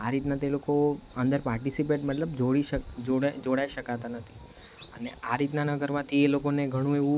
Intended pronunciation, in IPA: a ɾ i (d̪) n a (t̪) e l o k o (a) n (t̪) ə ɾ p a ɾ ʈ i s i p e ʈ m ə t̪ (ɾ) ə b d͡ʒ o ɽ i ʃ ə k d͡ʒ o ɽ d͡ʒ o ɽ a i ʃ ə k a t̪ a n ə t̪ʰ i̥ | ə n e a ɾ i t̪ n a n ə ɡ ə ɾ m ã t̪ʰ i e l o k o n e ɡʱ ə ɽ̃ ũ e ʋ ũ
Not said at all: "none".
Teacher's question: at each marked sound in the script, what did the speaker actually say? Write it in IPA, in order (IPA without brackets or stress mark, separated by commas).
t̪, t̪, ə, d̪, l